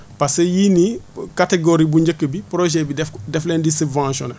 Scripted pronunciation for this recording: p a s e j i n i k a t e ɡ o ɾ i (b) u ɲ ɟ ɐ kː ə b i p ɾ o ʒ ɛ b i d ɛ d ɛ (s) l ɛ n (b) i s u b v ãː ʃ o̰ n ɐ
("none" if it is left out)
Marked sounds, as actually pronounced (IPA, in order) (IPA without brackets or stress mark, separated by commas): b, f, d